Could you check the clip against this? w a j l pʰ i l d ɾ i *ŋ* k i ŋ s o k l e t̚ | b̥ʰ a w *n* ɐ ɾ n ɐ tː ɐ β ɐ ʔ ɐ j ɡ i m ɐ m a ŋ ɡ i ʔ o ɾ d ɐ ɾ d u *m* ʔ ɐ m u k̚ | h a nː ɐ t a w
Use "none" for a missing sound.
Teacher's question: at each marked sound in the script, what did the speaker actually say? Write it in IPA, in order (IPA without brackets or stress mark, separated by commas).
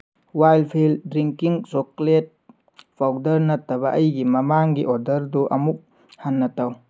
ŋ, d, none